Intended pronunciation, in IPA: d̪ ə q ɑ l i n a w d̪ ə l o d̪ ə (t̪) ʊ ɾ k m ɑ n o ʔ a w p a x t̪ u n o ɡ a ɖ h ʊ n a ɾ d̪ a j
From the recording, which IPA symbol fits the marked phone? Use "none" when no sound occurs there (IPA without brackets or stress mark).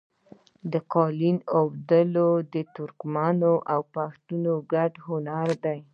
t̪